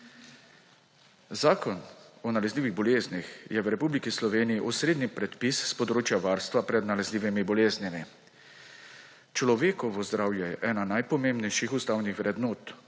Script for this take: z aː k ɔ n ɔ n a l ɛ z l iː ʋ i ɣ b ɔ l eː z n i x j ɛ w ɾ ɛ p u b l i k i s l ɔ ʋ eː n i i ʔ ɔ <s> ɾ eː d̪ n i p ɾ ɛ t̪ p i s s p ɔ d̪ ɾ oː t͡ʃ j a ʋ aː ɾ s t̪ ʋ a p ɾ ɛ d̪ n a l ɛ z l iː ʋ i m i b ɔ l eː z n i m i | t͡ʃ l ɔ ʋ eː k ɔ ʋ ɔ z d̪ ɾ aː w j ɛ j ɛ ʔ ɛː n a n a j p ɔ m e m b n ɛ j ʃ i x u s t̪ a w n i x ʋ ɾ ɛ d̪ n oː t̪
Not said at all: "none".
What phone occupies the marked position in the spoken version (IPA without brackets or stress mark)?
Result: s